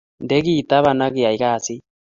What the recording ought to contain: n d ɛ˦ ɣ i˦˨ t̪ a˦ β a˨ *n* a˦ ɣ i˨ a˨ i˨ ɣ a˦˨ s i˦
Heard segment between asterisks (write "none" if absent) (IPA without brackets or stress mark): n